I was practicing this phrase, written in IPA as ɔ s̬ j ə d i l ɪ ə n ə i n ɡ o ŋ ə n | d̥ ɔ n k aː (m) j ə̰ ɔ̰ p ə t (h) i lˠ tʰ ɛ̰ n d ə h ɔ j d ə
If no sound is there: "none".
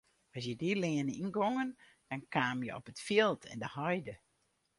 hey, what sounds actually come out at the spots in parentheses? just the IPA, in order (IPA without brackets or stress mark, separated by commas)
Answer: m, f